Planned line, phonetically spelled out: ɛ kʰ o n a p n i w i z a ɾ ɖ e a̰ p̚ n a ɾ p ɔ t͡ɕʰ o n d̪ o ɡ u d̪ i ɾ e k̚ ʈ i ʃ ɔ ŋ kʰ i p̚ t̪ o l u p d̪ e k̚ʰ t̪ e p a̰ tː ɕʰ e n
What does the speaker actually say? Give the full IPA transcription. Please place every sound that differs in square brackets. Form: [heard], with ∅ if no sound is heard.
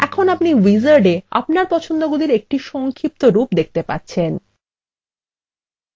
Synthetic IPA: ɛ kʰ o n a p n i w i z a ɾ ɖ e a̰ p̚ n a ɾ p ɔ t͡ɕʰ o n d̪ o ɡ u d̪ i ɾ e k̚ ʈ i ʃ ɔ ŋ kʰ i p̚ t̪ o [ɾ] u p d̪ e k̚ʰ t̪ e p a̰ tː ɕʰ e n